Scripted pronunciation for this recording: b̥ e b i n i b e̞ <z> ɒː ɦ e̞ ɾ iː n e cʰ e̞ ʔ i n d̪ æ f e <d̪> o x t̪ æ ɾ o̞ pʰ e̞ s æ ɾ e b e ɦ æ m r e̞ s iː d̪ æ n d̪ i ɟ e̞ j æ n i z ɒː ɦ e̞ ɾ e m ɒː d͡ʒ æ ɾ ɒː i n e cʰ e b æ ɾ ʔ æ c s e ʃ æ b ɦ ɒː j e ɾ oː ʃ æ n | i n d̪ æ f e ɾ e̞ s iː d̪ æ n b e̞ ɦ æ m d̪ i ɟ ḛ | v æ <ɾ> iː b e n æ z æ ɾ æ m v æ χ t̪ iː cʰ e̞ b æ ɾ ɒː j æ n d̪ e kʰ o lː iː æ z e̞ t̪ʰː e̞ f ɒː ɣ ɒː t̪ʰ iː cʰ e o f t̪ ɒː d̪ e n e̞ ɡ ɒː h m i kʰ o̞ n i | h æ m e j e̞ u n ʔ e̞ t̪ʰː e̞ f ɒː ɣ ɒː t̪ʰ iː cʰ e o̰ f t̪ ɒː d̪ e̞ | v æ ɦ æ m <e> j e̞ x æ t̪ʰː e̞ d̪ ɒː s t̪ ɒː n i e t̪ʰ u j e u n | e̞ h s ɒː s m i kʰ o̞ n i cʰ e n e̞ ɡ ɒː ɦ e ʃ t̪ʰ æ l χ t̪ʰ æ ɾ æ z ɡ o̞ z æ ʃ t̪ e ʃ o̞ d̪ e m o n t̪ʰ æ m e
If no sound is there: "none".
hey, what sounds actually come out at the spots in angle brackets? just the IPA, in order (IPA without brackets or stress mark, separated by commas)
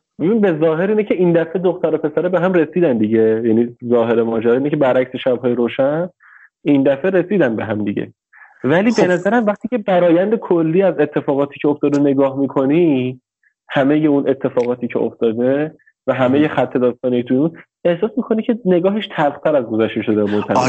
z, d̪, l, e